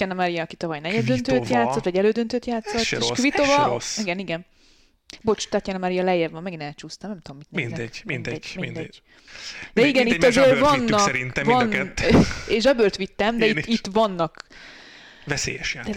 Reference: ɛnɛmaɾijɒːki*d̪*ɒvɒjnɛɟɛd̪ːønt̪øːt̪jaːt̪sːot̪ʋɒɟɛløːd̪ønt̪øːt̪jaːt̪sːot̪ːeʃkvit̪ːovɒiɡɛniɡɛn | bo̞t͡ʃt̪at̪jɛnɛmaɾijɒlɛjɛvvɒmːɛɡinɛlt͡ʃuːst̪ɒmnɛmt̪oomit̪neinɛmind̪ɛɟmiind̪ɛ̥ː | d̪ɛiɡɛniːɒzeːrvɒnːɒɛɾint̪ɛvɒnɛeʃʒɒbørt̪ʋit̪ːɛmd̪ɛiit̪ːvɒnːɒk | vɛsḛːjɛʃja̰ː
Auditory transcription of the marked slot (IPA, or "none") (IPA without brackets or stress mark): t̪